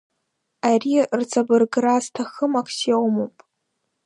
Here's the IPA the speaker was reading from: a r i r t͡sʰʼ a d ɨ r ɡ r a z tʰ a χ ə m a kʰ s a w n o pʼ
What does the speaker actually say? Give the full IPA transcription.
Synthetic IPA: a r i r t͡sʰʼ a b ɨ r ɡ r a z tʰ a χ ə m a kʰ s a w m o pʼ

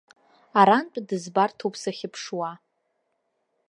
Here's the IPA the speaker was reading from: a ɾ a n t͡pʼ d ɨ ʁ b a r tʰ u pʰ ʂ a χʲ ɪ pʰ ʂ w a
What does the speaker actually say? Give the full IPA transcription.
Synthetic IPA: a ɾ a n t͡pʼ d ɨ z b a r tʰ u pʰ s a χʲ ɪ pʰ ʂ w a

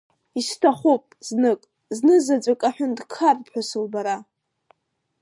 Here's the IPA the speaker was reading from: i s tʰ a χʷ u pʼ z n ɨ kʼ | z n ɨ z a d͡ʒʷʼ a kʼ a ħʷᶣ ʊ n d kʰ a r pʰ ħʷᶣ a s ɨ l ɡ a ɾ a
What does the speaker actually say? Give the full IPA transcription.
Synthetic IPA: i s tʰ a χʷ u pʼ z n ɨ kʼ | z n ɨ z a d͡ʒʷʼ a kʼ a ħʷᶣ ʊ n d kʰ a r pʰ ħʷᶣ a s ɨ l b a ɾ a

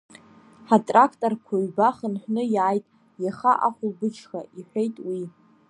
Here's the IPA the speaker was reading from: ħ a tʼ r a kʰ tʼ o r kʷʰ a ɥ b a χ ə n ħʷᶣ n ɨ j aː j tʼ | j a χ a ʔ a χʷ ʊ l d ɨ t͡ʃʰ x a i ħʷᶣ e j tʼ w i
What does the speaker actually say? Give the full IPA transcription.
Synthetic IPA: ħ a tʼ r a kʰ tʼ o r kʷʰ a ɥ b a χ ə n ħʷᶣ n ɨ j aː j tʼ | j a χ a ʔ a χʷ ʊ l b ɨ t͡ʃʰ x a i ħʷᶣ e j tʼ w i

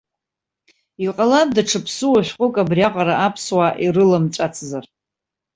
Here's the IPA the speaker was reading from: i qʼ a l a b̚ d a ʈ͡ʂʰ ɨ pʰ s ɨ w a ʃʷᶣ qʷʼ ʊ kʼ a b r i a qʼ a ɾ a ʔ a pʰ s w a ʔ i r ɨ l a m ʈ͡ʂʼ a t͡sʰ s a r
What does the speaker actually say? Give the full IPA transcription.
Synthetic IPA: i qʼ a l a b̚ d a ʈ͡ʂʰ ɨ pʰ s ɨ w a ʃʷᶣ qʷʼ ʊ kʼ a b r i a qʼ a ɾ a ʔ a pʰ s w a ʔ i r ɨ l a m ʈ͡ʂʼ a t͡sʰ z a r

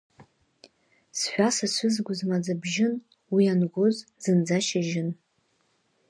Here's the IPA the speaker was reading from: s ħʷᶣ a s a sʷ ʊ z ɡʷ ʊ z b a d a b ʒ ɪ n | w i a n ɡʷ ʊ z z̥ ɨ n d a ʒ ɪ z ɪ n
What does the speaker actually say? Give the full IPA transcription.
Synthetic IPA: s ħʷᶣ a s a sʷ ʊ z ɡʷ ʊ z m a d͡z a b ʒ ɪ n | w i a n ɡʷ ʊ z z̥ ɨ n d͡z a ʃ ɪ ʒ ɪ n

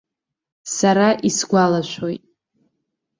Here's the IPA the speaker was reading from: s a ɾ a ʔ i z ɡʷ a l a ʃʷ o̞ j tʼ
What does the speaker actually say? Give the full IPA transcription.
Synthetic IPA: s a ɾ a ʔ i s ɡʷ a l a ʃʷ o̞ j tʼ

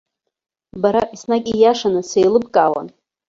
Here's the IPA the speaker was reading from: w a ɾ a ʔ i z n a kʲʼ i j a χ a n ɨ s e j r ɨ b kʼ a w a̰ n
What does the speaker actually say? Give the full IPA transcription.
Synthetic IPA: b a ɾ a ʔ i s n a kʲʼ i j a ʂ a n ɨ s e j l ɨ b kʼ a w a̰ n

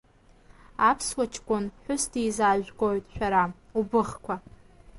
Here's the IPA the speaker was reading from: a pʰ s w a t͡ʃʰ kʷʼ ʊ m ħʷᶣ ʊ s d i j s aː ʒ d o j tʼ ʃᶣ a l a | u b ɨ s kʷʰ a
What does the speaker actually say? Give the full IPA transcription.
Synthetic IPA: a pʰ s w a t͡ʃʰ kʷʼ ʊ n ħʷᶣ ʊ s d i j z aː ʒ ɡ o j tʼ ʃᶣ a ɾ a | u b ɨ χ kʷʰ a

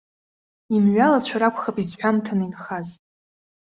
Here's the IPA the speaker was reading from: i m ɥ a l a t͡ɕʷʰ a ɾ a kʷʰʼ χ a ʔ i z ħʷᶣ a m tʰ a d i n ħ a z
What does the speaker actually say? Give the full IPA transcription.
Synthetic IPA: i m ɥ a l a t͡ɕʷʰ a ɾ a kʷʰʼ χ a p i z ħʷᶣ a m tʰ a n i n χ a z

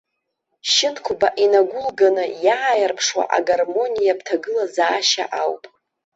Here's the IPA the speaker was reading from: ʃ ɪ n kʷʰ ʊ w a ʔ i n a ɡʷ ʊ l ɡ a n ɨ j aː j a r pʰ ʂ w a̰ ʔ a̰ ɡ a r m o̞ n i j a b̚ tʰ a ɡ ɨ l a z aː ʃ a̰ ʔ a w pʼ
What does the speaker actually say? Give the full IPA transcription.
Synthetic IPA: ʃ ɪ n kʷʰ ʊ b a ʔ i n a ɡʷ ʊ l ɡ a n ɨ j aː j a r pʰ ʂ w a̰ ʔ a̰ ɡ a r m o̞ n i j a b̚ tʰ a ɡ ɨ l a z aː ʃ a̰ ʔ a w pʼ

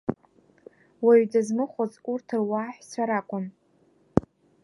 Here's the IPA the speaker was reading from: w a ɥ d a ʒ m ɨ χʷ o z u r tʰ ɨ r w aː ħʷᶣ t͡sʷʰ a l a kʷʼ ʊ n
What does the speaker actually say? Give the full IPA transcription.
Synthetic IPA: w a ɥ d a z m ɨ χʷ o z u r tʰ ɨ r w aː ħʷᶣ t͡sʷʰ a ɾ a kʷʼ ʊ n

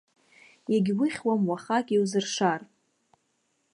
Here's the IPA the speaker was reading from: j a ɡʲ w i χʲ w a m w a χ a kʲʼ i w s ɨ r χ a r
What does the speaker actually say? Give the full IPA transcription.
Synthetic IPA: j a ɡʲ w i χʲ w a m w a χ a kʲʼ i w z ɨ r ʂ a r

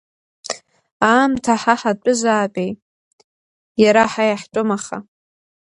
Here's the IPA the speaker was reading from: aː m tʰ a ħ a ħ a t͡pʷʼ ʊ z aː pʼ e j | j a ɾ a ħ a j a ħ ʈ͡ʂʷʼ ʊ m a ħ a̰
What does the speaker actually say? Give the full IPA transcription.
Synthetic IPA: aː m tʰ a ħ a ħ a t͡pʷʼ ʊ z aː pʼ e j | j a ɾ a ħ a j a ħ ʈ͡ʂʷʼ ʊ m a χ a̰

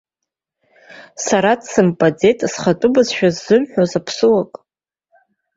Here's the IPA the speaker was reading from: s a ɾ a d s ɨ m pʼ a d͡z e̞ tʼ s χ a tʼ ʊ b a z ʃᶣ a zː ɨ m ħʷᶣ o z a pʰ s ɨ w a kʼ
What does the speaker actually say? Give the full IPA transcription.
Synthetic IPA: s a ɾ a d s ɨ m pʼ a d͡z e̞ tʼ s χ a tʼ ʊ b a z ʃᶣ a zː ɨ m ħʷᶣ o z a pʰ s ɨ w a kʼ

